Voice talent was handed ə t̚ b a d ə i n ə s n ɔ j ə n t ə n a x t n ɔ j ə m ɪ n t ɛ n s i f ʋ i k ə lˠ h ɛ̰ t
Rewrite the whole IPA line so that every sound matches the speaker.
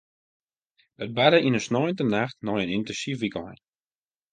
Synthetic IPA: ə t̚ b a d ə i n ə s n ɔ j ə n t ə n a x t n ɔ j ə n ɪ n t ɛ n s i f ʋ i k ə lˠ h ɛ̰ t